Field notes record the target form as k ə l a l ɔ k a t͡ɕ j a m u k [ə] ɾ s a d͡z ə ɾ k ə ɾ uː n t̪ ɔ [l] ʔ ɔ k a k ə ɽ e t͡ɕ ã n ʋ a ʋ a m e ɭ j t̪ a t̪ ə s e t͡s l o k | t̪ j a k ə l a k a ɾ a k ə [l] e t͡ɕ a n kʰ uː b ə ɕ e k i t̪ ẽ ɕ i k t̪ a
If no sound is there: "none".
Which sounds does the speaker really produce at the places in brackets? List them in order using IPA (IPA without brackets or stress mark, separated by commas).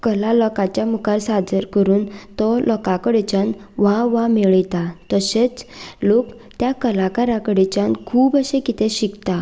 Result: a, l, ɽ